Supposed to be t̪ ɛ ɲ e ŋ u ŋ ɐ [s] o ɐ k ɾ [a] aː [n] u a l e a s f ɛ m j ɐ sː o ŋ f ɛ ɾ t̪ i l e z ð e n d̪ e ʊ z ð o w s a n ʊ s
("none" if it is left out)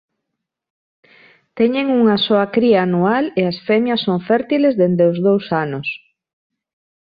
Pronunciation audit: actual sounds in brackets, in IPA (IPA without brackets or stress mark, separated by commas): s, i, n